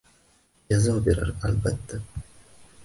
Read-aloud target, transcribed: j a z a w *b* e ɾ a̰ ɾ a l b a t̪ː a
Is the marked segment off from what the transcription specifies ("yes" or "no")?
no